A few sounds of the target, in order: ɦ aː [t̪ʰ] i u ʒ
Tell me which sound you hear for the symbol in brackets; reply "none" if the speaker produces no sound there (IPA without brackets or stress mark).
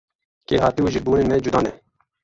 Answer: t̪